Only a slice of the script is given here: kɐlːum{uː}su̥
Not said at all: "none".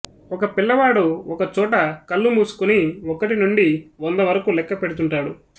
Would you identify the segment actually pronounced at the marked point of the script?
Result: uː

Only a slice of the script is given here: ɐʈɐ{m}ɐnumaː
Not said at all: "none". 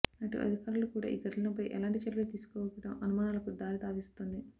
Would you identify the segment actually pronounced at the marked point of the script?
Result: m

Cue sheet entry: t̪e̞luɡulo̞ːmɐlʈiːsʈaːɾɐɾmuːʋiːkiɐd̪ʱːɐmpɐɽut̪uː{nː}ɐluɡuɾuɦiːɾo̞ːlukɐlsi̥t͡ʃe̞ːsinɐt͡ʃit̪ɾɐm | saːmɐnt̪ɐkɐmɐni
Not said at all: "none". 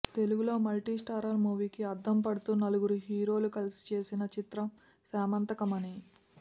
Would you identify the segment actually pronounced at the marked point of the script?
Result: n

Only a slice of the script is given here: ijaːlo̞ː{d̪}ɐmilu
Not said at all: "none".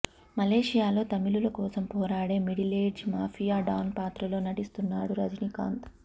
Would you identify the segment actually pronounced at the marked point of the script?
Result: t̪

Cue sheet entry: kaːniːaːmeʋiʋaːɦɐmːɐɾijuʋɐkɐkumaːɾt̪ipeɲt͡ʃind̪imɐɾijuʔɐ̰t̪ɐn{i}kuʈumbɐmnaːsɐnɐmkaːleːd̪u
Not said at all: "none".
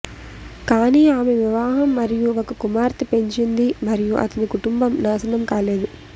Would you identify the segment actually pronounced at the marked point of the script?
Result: i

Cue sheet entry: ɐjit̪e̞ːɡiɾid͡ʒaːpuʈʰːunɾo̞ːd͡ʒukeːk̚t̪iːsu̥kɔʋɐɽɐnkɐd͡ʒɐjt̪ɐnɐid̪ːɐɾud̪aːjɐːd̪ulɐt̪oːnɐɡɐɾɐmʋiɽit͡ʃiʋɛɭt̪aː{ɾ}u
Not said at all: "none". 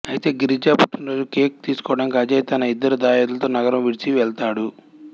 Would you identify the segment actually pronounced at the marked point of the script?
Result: ɽ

